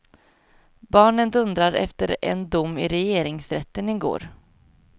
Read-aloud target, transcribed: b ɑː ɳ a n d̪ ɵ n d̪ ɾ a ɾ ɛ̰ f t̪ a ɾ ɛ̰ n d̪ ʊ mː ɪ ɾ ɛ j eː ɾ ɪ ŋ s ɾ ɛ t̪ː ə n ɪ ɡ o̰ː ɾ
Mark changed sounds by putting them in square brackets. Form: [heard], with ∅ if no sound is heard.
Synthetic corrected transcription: b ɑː ɳ [ə] n d̪ ɵ n d̪ ɾ a ɾ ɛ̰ f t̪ [ə] ɾ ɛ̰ n d̪ ʊ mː ɪ ɾ ɛ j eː ɾ ɪ ŋ s ɾ ɛ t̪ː ə n ɪ ɡ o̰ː ɾ